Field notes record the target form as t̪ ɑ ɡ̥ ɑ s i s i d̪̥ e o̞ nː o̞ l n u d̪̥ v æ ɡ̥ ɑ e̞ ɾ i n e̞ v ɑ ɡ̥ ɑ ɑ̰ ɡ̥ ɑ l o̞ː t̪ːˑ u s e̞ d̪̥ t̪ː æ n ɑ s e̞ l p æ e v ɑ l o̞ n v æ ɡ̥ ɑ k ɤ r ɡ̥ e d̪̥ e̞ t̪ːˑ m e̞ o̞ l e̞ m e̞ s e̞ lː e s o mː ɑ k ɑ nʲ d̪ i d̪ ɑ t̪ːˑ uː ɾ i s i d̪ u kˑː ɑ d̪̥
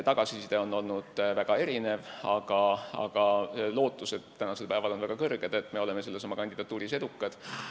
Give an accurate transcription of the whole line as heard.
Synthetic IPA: t̪ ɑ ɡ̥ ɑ s i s i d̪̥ e o̞ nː o̞ l n u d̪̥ v æ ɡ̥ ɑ e̞ ɾ i n e̞ v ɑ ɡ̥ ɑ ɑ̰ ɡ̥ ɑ l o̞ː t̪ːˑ u s e̞ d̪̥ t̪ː æ n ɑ s e̞ l p æ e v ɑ l o̞ n v æ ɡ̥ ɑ k ɤ r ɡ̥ e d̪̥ e̞ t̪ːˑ m e̞ o̞ l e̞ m e̞ s e̞ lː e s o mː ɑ k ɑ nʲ d̪ i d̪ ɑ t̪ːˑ uː ɾ i s e d̪ u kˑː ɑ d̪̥